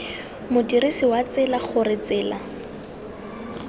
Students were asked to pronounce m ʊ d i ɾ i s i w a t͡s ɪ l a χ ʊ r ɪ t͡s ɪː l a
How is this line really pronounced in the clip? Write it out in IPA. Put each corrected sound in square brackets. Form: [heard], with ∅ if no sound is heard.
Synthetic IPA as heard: m ʊ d i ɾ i s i w a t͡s ɪ l a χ ʊ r ɪ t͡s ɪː l a